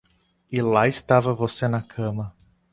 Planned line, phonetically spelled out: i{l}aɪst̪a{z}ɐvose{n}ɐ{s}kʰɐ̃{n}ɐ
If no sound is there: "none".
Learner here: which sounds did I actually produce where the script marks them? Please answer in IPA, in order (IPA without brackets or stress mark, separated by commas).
l, v, n, none, m